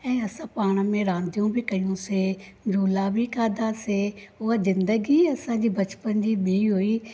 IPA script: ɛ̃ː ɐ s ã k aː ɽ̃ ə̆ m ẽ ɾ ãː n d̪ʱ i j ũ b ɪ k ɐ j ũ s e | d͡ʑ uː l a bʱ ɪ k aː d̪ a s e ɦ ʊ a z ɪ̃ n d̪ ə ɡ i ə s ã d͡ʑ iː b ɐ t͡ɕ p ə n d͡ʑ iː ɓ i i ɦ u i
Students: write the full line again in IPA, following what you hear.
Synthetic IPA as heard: ɛ̃ː ɐ s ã p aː ɽ̃ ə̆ m ẽ ɾ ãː n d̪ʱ i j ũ b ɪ k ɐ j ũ s e | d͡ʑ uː l a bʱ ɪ k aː d̪ a s e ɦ ʊ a z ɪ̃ n d̪ ə ɡ i ɐ s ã d͡ʑ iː b ɐ t͡ɕ p ə n d͡ʑ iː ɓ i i ɦ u i